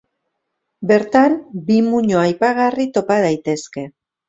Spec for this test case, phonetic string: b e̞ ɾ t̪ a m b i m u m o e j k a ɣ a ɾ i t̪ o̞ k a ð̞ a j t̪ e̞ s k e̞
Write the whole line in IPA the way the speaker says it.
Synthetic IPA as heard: b e̞ ɾ t̪ a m b i m u ɲ o a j p a ɣ a r i t̪ o̞ p a ð̞ a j t̪ e̞ s k e̞